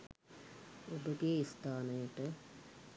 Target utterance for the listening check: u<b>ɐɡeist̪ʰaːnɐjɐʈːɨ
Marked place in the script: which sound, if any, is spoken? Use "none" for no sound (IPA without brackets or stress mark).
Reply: b